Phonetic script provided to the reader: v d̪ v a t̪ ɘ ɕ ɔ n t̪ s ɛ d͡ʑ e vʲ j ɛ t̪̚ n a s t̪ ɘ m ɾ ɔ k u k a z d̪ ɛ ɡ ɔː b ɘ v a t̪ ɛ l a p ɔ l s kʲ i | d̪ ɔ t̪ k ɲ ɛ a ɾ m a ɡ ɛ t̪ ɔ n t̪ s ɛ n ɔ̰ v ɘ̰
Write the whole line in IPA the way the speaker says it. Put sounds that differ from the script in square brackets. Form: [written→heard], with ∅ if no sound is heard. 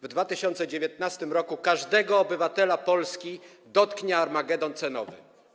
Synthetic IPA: v d̪ v a t̪ ɘ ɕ ɔ n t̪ s ɛ d͡ʑ e vʲ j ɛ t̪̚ n a s t̪ ɘ m ɾ ɔ k u k a [z→ʐ] d̪ ɛ ɡ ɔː b ɘ v a t̪ ɛ l a p ɔ l s kʲ i | d̪ ɔ t̪ k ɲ ɛ a ɾ m a ɡ ɛ [t̪→d̪] ɔ n t̪ s ɛ n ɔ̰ v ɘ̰